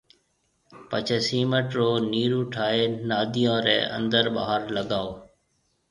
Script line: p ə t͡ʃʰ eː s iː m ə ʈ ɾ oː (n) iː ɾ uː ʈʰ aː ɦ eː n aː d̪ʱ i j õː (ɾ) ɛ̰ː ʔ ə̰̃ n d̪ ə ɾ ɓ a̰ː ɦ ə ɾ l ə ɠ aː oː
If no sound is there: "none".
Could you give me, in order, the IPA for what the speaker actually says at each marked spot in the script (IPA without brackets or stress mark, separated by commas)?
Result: n, ɾ